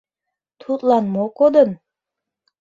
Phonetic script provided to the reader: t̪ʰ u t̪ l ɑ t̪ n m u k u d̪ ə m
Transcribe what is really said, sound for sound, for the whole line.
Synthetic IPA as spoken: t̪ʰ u t̪ l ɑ n m o k o d̪ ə n